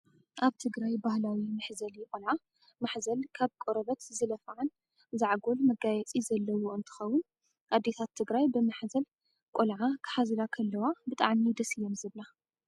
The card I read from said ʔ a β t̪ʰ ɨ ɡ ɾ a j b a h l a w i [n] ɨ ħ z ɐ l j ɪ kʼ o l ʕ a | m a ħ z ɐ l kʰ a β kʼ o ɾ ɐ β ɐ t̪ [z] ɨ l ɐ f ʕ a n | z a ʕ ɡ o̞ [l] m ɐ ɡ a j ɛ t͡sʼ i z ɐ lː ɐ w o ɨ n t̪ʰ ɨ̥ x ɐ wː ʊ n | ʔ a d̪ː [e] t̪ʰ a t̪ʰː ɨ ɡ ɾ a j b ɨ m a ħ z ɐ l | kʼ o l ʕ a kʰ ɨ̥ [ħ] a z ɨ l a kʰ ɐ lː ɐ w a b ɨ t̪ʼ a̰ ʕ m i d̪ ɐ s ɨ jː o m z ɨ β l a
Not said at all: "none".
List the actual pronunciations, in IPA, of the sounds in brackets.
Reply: m, z, l, e, ħ

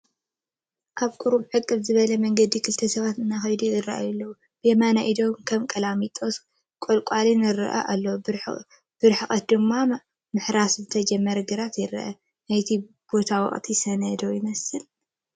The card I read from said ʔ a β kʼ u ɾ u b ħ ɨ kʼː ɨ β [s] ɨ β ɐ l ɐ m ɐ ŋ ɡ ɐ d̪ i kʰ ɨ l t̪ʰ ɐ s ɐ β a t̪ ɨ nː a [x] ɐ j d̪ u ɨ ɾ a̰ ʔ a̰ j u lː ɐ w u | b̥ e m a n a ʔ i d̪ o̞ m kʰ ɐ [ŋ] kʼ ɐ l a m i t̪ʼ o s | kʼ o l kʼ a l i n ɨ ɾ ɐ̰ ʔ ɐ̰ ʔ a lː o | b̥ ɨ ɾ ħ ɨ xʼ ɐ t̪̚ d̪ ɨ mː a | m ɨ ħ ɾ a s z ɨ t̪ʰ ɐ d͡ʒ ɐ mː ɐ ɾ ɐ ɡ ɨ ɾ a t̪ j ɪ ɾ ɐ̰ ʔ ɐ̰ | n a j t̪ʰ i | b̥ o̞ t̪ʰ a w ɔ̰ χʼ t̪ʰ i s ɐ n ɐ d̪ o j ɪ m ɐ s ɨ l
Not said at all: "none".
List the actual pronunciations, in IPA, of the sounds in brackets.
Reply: z, x, m

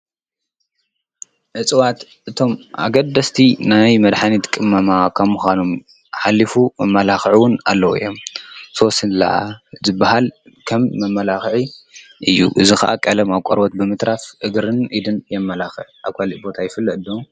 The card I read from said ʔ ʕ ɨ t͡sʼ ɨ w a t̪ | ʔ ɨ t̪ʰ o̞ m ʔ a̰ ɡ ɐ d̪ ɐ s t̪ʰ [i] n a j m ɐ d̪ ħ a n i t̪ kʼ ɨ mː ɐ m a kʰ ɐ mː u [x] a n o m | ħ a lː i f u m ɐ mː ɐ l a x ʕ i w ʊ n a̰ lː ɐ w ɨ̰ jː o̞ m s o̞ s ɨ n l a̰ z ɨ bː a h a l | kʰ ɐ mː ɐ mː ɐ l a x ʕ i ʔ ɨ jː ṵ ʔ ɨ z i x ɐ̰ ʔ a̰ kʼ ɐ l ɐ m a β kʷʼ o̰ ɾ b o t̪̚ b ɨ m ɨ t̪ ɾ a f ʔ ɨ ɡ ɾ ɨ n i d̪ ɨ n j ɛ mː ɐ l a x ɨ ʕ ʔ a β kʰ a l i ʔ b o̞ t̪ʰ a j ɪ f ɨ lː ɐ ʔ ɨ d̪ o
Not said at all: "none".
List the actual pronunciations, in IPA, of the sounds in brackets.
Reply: i, x

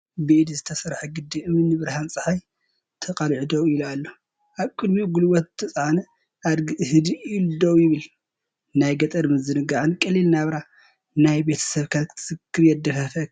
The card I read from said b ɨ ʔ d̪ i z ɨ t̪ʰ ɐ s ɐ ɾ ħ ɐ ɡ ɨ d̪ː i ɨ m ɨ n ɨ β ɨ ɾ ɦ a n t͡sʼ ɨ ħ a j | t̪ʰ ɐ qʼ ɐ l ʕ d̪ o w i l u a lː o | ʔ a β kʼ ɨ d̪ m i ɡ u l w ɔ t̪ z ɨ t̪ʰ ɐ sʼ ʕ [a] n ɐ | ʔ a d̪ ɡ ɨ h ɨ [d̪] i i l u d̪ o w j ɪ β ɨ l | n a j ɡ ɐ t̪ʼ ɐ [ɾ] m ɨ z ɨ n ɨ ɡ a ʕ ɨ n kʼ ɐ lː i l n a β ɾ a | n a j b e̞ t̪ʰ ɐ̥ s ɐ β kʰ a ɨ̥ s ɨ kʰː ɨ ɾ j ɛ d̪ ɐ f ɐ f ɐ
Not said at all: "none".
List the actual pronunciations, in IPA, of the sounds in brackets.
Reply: a, d̪, ɾ

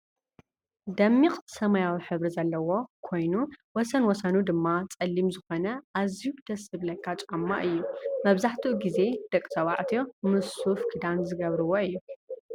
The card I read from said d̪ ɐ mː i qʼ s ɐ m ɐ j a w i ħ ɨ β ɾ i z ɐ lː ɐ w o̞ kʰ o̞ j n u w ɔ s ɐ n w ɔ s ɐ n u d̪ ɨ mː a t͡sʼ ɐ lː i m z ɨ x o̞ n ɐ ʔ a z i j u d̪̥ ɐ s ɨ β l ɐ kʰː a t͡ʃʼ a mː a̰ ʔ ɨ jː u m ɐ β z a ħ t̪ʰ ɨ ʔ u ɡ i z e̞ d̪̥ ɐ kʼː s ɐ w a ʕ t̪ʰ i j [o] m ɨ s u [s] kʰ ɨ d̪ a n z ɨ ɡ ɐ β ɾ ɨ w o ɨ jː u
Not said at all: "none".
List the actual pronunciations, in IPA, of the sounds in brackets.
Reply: o, f

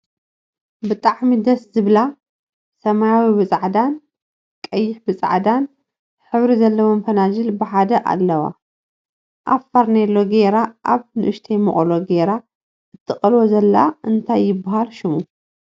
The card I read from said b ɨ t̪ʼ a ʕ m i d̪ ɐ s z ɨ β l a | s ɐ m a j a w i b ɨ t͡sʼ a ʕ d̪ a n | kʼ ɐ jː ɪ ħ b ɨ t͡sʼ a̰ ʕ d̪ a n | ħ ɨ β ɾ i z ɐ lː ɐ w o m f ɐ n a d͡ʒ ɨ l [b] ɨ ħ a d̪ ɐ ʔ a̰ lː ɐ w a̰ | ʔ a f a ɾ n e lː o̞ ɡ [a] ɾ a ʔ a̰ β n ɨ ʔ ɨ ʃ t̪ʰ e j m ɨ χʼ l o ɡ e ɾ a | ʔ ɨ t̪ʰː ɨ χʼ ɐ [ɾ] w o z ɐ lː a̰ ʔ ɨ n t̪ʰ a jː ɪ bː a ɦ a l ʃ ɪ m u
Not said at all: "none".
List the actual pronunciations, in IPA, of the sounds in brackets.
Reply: b, e, l

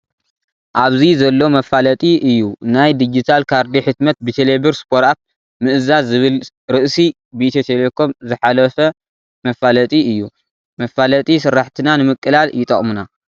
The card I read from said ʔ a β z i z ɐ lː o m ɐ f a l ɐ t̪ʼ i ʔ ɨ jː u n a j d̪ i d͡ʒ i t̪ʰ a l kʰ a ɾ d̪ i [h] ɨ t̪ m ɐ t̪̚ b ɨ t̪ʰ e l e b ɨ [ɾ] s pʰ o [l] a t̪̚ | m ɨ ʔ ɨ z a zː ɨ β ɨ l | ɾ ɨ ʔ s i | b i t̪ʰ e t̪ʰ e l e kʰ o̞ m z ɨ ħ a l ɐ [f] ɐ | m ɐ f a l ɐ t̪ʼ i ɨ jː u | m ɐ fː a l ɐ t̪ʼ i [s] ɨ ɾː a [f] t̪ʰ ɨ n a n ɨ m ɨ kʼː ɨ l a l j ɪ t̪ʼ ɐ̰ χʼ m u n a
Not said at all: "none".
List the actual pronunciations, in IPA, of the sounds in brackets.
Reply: ħ, ɾ, ɾ, f, s, ħ

